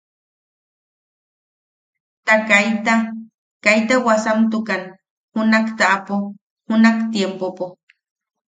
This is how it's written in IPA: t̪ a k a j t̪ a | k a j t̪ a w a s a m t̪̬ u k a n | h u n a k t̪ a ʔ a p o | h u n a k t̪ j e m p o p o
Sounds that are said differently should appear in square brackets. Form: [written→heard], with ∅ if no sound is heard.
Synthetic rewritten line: t̪ a k a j t̪ a | k a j t̪ a w a s a m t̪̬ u k a n | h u n a k t̪ a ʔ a p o | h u n a k t̪ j e m p o p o

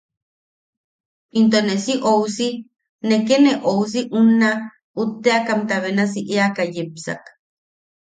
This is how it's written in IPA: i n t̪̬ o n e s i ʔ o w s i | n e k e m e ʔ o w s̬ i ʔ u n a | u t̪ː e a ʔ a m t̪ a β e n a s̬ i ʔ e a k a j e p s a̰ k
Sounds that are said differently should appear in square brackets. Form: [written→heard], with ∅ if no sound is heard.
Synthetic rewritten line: i n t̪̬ o n e s i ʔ o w s i | n e k e [m→n] e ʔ o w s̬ i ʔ u n a | u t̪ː e a [ʔ→k] a m t̪ a β e n a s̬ i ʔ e a k a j e p s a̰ k

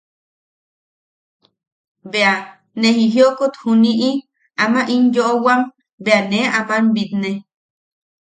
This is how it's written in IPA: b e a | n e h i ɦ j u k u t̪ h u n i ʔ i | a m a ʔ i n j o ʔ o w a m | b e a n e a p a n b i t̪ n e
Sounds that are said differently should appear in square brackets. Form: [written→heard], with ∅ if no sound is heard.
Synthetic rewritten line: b e a | n e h i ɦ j [u→o] k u t̪ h u n i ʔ i | a m a ʔ i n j o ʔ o w a m | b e a n e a p a n b i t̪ n e

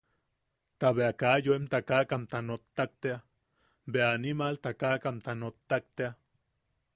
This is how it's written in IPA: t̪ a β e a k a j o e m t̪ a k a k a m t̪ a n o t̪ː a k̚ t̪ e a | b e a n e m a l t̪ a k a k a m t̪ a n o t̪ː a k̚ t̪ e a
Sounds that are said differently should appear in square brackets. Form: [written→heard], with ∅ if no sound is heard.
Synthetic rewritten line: t̪ a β e a k a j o e m t̪ a k a k a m t̪ a n o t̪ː a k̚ t̪ e a | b e a n [e→i] m a l t̪ a k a k a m t̪ a n o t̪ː a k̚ t̪ e a

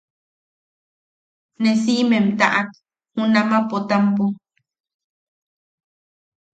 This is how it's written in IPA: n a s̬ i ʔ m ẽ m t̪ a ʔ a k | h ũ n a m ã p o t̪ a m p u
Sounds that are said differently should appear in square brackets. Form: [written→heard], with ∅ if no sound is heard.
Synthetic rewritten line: n [a→e] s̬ i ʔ m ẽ m t̪ a ʔ a k | h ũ n a m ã p o t̪ a m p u

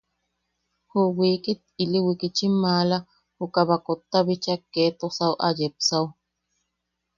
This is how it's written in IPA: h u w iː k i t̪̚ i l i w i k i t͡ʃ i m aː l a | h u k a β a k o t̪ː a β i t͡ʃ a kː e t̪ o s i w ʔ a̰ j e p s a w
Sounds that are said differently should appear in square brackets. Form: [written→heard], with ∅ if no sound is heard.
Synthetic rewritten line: h u w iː k i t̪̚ i l i w i k i t͡ʃ i m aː l a | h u k a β a k o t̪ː a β i t͡ʃ a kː e t̪ o s [i→a] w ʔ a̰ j e p s a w

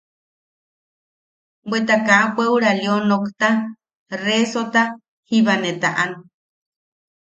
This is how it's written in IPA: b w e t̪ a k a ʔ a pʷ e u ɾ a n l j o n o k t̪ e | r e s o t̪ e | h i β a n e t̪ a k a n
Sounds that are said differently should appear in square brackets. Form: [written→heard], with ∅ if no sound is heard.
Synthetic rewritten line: b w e t̪ a k a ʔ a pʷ e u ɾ a [n→∅] l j o n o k t̪ [e→a] | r e s o t̪ [e→a] | h i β a n e t̪ a [k→ʔ] a n

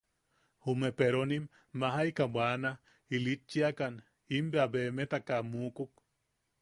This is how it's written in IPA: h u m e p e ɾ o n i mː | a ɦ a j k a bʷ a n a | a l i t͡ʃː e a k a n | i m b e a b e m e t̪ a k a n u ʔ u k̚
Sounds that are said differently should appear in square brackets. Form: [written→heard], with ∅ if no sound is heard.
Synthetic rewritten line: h u m e p e ɾ o n i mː | a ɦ a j k a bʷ a n a | [a→i] l i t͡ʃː [e→i] a k a n | i m b e a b e m e t̪ a k a [n→m] u [ʔ→k] u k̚

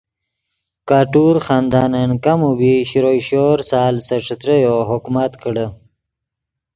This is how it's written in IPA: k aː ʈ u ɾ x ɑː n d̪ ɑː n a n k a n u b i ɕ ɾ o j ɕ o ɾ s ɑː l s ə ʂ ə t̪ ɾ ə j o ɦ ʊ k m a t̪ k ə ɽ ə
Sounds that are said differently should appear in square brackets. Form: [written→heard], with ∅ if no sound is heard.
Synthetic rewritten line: k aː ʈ u ɾ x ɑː n d̪ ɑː n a n k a [n→m] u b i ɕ ɾ o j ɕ o ɾ s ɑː l s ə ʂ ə t̪ ɾ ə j o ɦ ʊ k m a t̪ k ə ɽ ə

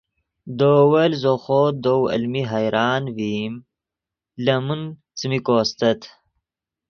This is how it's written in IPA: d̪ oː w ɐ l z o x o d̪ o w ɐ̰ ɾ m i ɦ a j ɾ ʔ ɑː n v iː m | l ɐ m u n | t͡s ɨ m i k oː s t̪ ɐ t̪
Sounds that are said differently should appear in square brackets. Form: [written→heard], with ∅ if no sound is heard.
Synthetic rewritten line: d̪ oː w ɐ l z o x o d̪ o w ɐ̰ [ɾ→l] m i ɦ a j ɾ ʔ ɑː n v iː m | l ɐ m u n | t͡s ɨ m i k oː s t̪ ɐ t̪

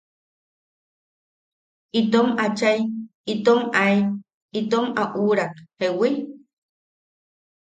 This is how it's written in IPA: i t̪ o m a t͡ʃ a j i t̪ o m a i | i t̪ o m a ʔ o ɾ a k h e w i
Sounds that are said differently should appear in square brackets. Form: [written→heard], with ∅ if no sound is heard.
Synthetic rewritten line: i t̪ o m a t͡ʃ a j i t̪ o m a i | i t̪ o m a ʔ [o→u] ɾ a k h e w i

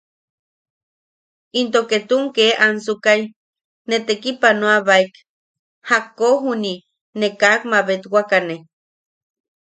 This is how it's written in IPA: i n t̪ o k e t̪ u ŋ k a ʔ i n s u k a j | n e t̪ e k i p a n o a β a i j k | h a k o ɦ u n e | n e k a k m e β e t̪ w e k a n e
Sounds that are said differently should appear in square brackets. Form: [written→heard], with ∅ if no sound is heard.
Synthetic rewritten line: i n t̪ o k e t̪ u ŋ k [a→e] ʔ [i→a] n s u k a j | n e t̪ e k i p a n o a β a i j k | h a k o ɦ u n [e→i] | n e k a k m [e→a] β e t̪ w [e→a] k a n e

